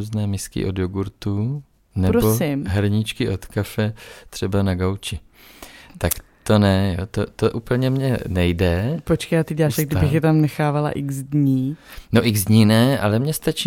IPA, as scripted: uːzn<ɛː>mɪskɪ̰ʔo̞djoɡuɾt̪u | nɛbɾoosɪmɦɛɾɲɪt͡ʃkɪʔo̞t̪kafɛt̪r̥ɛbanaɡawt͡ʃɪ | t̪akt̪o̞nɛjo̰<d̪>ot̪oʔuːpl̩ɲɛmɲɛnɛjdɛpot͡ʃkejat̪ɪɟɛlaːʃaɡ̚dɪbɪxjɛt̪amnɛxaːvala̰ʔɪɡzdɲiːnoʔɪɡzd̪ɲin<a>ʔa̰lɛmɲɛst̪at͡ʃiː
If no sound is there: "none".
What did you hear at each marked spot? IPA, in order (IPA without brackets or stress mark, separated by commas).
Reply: ɛː, t̪, ɛ